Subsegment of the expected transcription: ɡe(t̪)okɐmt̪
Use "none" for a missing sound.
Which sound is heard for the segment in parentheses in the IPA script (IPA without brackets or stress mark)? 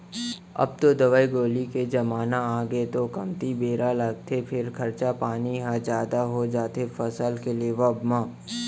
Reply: t̪